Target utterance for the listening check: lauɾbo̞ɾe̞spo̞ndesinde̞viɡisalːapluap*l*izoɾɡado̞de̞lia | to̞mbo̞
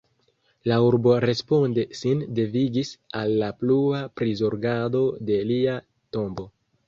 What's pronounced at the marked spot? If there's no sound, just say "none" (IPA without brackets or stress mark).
ɾ